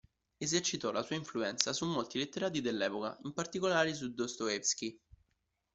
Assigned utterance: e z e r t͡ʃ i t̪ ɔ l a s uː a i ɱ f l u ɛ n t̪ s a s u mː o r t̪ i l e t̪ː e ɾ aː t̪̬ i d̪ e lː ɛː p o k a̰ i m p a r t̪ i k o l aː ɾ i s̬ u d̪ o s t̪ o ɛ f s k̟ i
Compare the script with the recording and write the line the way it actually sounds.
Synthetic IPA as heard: e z e r t͡ʃ i t̪ ɔ l a s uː a i ɱ f l u ɛ n t̪ s a s u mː o l t̪ i l e t̪ː e ɾ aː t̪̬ i d̪ e lː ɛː p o k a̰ i m p a r t̪ i k o l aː ɾ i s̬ u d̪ o s t̪ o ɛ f s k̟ i